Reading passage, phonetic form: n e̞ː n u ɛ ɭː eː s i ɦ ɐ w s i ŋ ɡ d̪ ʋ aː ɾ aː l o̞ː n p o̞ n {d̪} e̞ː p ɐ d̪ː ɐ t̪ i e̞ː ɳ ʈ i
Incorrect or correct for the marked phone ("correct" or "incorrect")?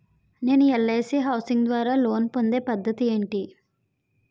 correct